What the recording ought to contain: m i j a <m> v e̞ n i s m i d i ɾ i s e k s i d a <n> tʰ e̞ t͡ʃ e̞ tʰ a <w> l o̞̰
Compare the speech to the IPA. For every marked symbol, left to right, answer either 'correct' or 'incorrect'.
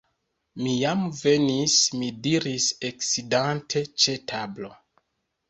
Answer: correct, correct, incorrect

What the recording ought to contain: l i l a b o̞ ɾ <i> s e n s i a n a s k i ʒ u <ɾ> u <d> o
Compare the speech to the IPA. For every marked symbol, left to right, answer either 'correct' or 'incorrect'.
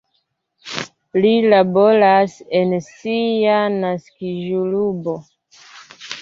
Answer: incorrect, incorrect, incorrect

